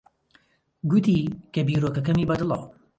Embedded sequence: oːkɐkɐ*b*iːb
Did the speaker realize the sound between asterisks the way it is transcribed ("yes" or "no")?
no